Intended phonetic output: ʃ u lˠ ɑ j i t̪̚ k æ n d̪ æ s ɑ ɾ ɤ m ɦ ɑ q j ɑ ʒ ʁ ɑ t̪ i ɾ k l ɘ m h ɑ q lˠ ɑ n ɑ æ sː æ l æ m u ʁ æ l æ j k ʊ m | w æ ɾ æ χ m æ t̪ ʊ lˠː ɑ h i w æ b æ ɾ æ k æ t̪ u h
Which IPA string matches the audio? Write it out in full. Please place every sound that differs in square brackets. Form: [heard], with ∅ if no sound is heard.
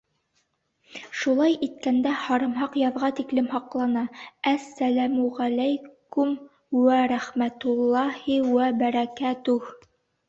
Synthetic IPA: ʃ u lˠ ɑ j i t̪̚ k æ n d̪ æ [h] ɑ ɾ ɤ m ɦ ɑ q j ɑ [ð] ʁ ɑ t̪ i [∅] k l ɘ m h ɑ q lˠ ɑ n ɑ æ sː æ l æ m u ʁ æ l æ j k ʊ m | w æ ɾ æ χ m æ t̪ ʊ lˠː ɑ h i w æ b æ ɾ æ k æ t̪ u h